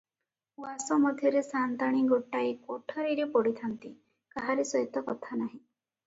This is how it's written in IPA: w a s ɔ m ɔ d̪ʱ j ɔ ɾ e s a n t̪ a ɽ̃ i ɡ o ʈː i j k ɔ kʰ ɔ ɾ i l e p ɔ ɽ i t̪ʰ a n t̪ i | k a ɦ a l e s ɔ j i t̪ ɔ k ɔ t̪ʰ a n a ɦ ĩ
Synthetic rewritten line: w a s ɔ m ɔ d̪ʱ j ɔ ɾ e s a n t̪ a ɽ̃ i ɡ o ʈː a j k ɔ ʈʰ ɔ ɾ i ɾ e p ɔ ɽ i t̪ʰ a n t̪ i | k a ɦ a ɾ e s ɔ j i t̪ ɔ k ɔ t̪ʰ a n a ɦ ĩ